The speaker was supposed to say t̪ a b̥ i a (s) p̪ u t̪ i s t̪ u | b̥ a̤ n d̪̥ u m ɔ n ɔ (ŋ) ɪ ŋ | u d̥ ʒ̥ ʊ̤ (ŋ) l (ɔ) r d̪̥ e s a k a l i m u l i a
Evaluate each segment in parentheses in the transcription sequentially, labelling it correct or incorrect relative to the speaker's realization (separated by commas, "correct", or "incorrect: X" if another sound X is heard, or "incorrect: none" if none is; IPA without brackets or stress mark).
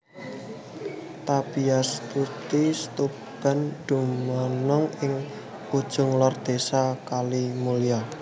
correct, correct, correct, correct